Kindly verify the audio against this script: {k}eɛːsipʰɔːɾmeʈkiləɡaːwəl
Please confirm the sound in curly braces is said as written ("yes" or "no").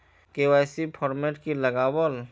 yes